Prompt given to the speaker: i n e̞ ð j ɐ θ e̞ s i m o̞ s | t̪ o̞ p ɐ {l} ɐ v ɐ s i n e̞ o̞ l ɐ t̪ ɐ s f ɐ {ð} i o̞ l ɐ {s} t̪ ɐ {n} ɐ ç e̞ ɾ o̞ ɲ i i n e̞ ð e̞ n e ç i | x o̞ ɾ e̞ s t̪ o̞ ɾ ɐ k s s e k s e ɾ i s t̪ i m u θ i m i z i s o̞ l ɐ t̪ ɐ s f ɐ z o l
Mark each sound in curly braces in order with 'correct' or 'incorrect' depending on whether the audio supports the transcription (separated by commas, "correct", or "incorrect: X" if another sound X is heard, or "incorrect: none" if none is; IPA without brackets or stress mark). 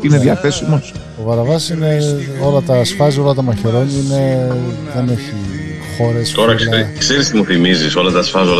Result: incorrect: ɾ, incorrect: z, incorrect: none, incorrect: m